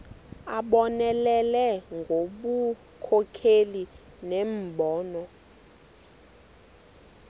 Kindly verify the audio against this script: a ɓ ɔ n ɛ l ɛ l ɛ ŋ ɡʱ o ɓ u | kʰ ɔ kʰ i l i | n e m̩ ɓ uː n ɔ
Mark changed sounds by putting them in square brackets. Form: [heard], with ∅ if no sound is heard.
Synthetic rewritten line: a ɓ ɔ n ɛ l ɛ l ɛ ŋ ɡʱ o ɓ u | kʰ ɔ kʰ [e] l i | n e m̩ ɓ [ɔː] n ɔ

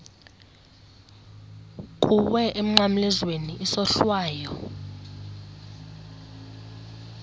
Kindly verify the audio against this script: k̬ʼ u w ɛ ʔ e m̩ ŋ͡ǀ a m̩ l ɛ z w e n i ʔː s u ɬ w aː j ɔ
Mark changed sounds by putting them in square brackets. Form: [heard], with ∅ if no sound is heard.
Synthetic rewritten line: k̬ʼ u w ɛ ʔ e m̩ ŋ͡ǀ a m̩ l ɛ z w e n i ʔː s [ɔ] ɬ w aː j ɔ

